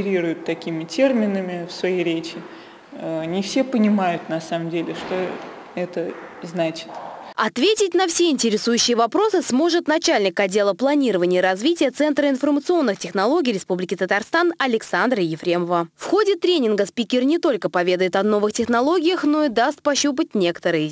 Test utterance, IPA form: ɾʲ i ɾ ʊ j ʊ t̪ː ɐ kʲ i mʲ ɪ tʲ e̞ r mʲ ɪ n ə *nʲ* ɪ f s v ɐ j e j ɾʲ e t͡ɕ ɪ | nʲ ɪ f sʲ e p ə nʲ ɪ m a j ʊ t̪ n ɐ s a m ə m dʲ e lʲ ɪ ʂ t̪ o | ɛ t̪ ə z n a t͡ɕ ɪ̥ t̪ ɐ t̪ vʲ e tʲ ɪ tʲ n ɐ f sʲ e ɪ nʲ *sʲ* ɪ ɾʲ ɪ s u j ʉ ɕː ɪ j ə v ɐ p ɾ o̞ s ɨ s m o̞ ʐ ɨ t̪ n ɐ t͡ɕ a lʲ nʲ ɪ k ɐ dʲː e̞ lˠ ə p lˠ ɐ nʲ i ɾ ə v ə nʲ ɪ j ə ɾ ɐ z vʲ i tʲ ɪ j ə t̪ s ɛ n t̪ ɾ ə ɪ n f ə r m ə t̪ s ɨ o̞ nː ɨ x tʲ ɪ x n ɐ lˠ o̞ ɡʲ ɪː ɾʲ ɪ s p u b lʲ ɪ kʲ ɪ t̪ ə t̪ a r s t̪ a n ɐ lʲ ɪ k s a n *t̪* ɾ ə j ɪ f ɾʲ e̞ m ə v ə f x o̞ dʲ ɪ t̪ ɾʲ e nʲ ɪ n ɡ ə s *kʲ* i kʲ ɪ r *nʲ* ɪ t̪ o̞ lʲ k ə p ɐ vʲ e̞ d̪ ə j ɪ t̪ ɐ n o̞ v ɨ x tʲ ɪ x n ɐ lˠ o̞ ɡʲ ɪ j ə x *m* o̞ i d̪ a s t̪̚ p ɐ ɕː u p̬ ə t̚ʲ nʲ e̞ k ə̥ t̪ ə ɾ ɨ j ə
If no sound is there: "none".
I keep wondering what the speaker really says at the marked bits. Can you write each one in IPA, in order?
mʲ, tʲ, d̪, pʲ, nʲ, n

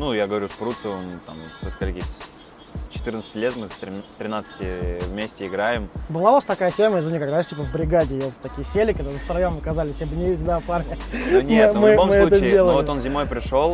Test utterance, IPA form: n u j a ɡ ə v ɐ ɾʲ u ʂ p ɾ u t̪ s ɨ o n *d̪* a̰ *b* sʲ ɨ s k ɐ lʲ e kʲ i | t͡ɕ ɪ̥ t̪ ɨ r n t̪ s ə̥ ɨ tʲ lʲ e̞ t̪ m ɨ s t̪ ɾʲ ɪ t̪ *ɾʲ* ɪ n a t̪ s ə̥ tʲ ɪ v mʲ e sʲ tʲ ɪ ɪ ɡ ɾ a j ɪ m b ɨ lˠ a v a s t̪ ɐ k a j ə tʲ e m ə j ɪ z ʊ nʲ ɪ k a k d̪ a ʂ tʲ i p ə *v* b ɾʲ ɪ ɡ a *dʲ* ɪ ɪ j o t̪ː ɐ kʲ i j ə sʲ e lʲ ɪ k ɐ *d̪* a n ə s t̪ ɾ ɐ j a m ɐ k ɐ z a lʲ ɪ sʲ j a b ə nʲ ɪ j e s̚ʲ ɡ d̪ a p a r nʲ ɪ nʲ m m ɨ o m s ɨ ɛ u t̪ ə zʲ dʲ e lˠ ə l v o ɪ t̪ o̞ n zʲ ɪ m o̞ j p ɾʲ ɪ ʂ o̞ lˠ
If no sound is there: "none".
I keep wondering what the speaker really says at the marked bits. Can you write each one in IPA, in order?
t̪, m, ɾʲ, v, dʲ, d̪

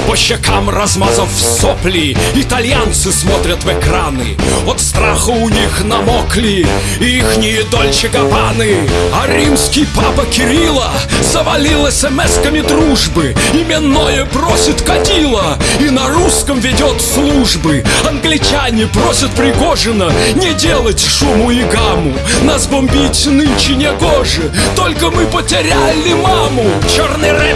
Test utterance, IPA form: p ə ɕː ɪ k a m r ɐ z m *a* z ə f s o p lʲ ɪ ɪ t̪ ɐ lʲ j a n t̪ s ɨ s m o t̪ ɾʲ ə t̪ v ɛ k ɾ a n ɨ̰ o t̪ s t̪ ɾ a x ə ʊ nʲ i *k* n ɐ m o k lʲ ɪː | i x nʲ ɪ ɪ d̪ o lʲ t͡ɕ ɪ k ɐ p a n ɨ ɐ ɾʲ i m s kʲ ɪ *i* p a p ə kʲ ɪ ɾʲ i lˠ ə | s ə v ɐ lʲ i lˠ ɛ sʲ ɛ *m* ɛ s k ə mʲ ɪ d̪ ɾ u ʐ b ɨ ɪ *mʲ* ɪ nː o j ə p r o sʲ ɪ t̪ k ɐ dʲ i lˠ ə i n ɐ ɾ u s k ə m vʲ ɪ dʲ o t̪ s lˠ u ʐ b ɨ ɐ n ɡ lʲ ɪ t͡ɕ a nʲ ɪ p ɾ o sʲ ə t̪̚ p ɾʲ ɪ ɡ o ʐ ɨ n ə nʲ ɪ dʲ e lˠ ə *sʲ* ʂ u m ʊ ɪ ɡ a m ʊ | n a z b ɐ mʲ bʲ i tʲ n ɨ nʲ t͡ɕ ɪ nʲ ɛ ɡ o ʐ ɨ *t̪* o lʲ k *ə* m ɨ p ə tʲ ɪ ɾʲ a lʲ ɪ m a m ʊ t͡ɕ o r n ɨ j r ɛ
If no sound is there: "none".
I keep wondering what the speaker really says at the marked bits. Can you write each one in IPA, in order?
a, x, j, m, mʲ, tʲ, t̪, ə

